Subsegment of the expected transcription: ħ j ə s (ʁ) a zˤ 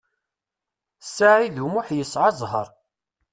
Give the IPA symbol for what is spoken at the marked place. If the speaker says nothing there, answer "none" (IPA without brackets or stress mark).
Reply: ʕ